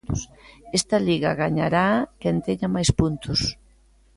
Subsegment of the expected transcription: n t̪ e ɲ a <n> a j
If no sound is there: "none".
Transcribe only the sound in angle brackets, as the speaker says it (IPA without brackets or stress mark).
m